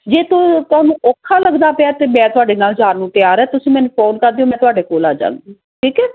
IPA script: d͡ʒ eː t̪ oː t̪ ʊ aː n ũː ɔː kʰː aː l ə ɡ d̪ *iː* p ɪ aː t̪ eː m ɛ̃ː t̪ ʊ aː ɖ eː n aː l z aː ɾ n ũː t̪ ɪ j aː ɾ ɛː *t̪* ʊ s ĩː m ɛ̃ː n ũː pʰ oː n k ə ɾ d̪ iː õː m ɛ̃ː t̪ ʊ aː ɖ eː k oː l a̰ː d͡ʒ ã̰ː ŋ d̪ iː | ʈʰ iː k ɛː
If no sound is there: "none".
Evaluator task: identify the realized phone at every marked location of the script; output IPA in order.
aː, t̪

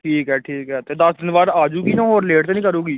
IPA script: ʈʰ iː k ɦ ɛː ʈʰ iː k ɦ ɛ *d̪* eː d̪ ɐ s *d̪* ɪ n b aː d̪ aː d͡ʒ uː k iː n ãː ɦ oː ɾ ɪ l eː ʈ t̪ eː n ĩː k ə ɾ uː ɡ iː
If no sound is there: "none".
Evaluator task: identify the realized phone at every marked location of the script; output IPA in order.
t̪, d̪

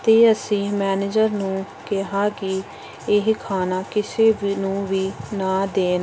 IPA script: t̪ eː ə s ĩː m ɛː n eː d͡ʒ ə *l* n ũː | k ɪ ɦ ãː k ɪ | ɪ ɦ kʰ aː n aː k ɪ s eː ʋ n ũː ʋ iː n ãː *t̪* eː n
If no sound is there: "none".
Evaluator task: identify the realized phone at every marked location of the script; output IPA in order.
ɾ, d̪

